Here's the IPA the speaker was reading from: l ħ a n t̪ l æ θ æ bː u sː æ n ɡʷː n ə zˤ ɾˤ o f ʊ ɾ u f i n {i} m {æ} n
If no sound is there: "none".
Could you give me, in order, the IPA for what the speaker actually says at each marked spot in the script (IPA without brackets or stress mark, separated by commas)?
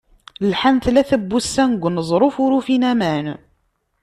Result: æ, æ